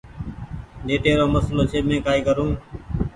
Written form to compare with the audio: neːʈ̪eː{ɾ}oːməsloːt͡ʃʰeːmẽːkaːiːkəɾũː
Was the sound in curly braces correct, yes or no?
yes